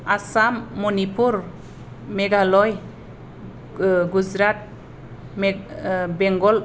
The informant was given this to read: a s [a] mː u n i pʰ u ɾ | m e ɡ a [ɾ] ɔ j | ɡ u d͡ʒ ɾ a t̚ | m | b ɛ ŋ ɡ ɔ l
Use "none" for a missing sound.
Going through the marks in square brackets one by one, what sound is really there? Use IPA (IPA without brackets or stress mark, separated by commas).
a, l